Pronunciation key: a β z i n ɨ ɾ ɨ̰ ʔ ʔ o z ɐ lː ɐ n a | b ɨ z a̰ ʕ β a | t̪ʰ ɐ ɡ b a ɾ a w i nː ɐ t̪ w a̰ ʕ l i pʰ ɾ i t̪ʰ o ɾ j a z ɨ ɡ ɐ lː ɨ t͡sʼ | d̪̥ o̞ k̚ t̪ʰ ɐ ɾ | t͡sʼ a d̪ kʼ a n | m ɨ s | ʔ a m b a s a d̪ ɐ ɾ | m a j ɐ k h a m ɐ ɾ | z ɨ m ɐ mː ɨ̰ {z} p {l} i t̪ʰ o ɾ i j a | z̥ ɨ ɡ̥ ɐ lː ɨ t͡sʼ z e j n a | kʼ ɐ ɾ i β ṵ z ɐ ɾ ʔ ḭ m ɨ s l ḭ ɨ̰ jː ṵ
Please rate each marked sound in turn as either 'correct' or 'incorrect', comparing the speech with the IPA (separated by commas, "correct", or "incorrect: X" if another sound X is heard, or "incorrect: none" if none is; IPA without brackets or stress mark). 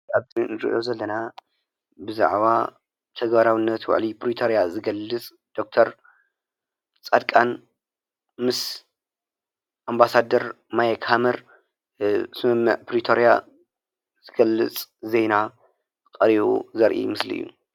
incorrect: ʕ, incorrect: ɾ